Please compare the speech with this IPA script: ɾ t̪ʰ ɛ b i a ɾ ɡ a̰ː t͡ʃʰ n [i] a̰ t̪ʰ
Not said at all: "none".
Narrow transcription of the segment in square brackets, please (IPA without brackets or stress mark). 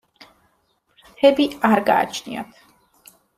i